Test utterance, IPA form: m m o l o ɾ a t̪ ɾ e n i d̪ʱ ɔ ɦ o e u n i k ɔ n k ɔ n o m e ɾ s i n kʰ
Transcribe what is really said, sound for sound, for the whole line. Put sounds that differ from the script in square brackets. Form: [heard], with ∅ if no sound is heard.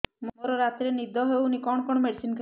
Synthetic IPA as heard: m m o [ɾ] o ɾ a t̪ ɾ e n i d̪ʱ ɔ ɦ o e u n i k ɔ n k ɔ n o m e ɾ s i n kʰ